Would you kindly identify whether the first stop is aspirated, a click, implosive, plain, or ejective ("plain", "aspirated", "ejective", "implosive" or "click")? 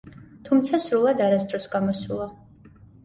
aspirated